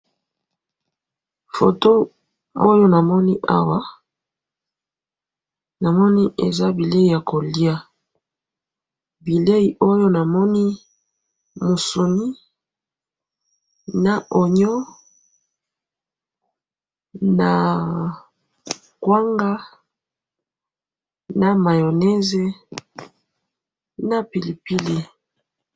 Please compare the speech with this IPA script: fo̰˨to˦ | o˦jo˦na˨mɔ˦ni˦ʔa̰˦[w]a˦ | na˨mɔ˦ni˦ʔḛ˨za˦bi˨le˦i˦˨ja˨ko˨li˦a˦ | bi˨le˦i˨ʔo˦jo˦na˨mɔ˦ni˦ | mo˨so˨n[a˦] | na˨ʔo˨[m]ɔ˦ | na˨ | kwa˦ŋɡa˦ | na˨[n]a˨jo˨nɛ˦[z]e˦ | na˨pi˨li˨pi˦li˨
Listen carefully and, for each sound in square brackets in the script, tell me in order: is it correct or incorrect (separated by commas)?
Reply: correct, incorrect, incorrect, incorrect, correct